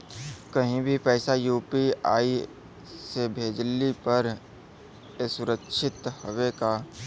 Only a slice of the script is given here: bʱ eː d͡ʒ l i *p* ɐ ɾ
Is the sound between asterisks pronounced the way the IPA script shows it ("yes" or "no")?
yes